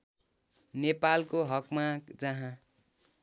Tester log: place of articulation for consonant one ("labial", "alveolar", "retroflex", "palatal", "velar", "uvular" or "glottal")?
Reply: alveolar